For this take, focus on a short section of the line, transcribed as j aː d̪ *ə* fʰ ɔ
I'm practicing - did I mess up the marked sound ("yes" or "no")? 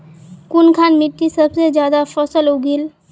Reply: yes